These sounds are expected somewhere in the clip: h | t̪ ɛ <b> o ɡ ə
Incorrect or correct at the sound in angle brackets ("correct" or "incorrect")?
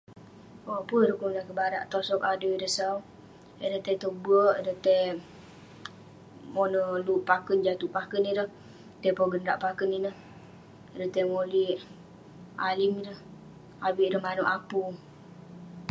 incorrect